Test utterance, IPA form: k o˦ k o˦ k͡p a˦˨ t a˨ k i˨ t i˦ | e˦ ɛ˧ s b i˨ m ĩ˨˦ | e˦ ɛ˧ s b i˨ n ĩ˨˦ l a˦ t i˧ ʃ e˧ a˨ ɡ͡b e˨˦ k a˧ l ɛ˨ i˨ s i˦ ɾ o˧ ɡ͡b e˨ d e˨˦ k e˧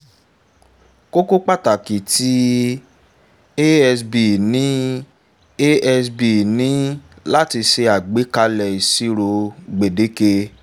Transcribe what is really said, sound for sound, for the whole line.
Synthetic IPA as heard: k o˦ k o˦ k͡p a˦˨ t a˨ k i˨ t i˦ | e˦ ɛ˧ s b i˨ n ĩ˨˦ | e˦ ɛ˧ s b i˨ n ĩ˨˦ l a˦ t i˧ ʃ e˧ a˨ ɡ͡b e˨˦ k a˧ l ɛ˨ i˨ s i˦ ɾ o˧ ɡ͡b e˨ d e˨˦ k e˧